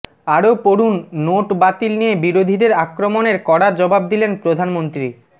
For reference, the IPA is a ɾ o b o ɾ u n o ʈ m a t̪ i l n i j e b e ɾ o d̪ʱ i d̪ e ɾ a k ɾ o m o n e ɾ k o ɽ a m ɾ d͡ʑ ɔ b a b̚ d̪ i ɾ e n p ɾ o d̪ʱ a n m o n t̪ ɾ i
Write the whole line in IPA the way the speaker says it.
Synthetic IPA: a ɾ o p o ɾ u nː o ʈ b a t̪ i l n i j e b i ɾ o d̪ʱ i d̪ e ɾ a k ɾ o m o n e ɾ k ɔ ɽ a ɾ d͡ʑ ɔ b a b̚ d̪ i l e n p ɾ o d̪ʱ a n m o n t̪ ɾ i